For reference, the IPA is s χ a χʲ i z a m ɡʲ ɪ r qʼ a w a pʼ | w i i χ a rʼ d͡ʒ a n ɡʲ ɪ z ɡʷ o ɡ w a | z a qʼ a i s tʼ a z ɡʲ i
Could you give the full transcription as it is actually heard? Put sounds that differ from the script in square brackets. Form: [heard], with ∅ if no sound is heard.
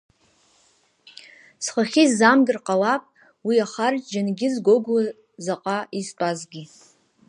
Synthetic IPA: s χ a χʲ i z a m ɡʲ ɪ r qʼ a w a pʼ | w i [a] χ a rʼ d͡ʒ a n ɡʲ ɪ z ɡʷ o ɡ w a | z a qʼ a i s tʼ a z ɡʲ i